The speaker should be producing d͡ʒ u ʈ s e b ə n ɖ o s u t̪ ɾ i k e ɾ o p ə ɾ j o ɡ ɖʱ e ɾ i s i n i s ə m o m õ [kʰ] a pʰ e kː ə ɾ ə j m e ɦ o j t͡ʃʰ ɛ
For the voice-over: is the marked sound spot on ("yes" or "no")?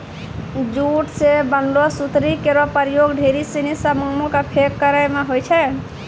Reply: no